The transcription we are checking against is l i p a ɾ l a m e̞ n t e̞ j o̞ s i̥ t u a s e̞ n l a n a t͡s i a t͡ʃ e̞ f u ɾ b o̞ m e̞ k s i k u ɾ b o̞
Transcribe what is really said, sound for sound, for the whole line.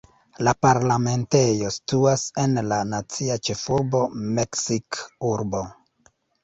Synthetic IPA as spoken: l a p a ɾ l a m e̞ n t e̞ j o̞ s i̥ t u a s e̞ n l a n a t͡s i a t͡ʃ e̞ f u ɾ b o̞ m e̞ k s i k u ɾ b o̞